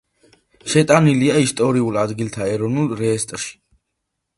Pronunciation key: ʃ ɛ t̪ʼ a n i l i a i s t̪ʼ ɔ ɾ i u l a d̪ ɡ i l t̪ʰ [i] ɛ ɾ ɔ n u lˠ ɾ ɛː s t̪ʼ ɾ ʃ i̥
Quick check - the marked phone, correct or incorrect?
incorrect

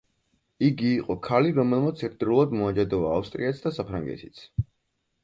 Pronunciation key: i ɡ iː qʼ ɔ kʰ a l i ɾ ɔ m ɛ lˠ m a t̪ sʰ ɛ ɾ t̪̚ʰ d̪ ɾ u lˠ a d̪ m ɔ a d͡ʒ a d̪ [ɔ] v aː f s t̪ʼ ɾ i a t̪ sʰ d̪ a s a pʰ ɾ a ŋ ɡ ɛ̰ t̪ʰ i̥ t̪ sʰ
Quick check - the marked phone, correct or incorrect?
correct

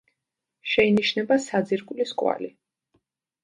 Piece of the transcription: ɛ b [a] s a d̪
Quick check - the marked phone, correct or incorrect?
correct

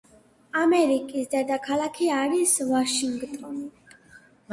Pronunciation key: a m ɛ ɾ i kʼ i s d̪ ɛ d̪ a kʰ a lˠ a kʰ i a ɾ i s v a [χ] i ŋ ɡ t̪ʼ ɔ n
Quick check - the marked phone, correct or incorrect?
incorrect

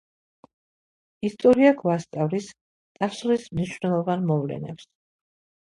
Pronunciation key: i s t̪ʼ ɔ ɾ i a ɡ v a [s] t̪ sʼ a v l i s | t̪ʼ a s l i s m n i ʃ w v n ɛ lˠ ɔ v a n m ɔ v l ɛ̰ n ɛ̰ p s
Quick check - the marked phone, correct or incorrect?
correct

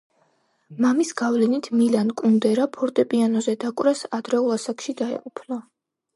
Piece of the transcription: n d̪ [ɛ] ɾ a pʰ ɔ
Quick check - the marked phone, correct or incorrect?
correct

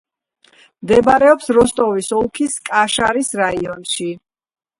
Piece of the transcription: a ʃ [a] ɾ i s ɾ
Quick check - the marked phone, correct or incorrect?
correct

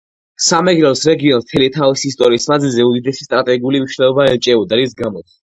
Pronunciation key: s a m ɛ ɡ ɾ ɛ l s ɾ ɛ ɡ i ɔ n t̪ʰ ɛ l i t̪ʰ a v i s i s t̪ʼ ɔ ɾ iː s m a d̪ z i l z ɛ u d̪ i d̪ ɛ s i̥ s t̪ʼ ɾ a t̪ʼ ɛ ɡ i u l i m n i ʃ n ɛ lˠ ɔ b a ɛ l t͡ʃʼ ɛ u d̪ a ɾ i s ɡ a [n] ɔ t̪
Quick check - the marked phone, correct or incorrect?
incorrect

